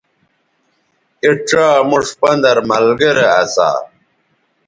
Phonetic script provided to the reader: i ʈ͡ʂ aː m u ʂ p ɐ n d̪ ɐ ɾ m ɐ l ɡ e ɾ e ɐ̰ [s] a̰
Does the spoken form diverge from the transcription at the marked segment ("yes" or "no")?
no